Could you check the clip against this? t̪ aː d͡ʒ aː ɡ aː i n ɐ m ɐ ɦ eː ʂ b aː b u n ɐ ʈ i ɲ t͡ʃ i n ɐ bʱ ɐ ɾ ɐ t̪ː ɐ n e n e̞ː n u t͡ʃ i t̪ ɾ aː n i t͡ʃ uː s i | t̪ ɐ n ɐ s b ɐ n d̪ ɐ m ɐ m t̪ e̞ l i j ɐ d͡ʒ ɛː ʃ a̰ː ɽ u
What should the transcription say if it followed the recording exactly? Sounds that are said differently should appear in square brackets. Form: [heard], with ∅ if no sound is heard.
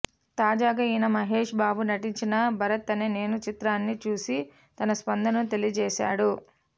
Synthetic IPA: t̪ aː d͡ʒ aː ɡ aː i n ɐ m ɐ ɦ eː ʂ b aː b u n ɐ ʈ i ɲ t͡ʃ i n ɐ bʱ ɐ ɾ ɐ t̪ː ɐ n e n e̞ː n u t͡ʃ i t̪ ɾ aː [nː] i t͡ʃ uː s i | t̪ ɐ n ɐ s [p] ɐ n d̪ ɐ [n] ɐ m t̪ e̞ l i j ɐ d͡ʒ ɛː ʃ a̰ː ɽ u